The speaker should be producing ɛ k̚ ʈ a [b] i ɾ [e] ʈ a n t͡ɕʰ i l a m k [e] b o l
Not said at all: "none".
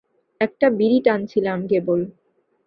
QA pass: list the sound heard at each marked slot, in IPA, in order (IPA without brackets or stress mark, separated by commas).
b, i, e